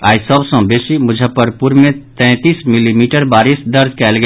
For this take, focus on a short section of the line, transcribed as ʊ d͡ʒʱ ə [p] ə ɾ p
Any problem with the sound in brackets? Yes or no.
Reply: no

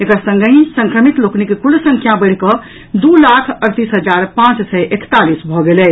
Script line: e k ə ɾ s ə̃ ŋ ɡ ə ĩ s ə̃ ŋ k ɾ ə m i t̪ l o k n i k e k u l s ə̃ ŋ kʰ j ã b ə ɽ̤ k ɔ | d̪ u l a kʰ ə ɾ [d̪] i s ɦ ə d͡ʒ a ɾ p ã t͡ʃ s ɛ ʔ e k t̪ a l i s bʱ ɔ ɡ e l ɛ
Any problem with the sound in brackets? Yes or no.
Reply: yes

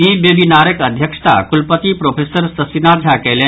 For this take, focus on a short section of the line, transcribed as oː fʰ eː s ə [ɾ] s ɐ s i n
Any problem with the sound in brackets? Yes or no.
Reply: no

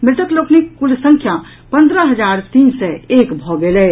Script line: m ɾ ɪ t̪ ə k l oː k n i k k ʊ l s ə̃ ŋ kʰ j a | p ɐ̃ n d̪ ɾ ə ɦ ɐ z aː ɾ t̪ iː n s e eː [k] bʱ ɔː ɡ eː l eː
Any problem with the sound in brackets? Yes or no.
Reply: no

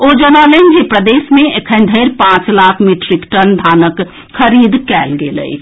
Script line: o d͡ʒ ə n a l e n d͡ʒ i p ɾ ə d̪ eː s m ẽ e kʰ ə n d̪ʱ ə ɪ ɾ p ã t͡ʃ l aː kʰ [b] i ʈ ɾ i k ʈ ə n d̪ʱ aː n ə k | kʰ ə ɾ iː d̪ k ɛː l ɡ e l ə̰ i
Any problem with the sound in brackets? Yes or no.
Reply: yes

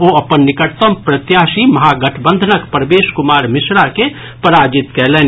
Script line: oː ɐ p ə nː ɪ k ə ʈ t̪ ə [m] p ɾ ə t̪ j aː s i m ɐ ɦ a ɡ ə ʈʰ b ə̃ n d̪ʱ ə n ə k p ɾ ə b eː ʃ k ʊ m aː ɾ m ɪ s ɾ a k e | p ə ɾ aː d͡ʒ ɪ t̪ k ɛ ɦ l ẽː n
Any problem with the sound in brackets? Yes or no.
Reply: no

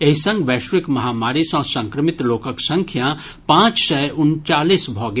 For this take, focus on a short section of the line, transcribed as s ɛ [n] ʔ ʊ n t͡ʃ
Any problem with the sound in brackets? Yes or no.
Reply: yes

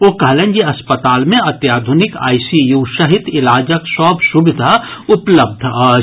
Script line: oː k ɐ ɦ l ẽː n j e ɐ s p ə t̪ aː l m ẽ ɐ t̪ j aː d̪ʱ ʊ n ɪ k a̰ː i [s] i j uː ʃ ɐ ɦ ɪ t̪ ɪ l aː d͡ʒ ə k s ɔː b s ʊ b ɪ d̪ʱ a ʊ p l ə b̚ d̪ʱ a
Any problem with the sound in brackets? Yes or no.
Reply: no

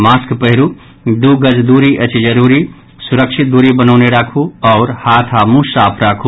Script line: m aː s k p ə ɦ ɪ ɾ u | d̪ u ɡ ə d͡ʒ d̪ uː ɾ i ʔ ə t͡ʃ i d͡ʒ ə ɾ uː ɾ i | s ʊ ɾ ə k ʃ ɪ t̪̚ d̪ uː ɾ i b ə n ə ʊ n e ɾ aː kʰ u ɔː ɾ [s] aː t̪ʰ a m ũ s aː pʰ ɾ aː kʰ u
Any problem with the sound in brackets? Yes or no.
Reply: yes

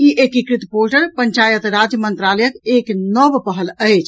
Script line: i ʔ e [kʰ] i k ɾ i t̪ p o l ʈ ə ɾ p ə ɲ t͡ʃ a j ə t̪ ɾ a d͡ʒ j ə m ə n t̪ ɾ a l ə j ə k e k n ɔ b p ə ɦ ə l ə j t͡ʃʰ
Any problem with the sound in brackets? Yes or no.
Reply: yes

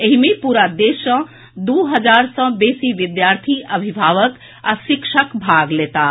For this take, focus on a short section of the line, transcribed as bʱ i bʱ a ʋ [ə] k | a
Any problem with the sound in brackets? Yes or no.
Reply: no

